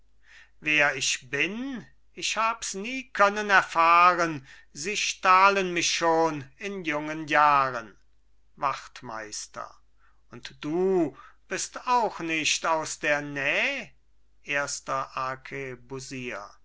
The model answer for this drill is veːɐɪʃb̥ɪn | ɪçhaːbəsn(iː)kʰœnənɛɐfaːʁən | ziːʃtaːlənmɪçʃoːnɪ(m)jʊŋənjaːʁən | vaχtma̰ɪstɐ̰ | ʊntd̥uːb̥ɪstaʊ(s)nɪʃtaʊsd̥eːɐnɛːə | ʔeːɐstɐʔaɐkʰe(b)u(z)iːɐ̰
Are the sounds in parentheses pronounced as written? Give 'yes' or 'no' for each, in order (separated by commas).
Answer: yes, no, no, yes, yes